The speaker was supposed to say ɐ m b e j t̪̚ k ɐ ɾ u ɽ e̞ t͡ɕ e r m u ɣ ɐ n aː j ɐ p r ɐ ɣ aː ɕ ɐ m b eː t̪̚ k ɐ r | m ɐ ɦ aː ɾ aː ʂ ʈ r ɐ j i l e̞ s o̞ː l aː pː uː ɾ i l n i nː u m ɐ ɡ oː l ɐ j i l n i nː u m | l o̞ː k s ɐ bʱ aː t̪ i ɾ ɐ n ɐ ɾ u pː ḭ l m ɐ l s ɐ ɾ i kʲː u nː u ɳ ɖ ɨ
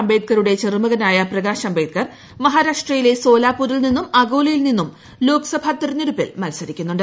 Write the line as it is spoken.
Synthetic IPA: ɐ m b e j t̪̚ k ɐ ɾ u ɽ e̞ t͡ɕ e r m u ɣ ɐ n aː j ɐ p r ɐ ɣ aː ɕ ɐ m b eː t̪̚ k ɐ r | m ɐ ɦ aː ɾ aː ʂ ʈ r ɐ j i l e̞ s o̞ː l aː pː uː ɾ i l n i nː u m ɐ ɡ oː l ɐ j i l n i nː u m | l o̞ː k s ɐ bʱ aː t̪ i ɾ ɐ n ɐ ɾ u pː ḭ l m ɐ l s ɐ ɾ i kʲː u nː u ɳ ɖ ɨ